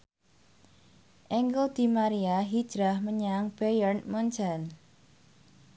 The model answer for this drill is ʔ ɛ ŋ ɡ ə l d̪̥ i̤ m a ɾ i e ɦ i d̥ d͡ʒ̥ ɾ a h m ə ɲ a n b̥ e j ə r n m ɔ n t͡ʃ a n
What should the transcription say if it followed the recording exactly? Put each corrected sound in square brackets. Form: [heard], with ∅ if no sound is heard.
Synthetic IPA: ʔ ɛ ŋ ɡ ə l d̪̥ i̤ m a ɾ i [a] ɦ i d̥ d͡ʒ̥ ɾ a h m ə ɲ a [ŋ] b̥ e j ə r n m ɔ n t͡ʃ a n